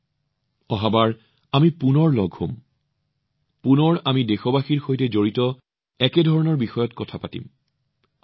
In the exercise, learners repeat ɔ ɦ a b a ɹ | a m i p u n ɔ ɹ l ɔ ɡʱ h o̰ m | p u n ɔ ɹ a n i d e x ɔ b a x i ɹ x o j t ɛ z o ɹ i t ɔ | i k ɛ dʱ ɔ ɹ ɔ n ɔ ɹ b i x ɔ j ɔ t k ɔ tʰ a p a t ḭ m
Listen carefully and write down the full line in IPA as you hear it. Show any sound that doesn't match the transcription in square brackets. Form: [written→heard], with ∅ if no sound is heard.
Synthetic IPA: ɔ ɦ a b a ɹ | a m i p u n ɔ ɹ l ɔ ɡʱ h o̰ m | p u n ɔ ɹ a [n→m] i d e x ɔ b a x i ɹ x o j t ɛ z o ɹ i t ɔ | [i→ɛ] k ɛ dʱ ɔ ɹ ɔ n ɔ ɹ b i x ɔ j ɔ t k ɔ tʰ a p a t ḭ m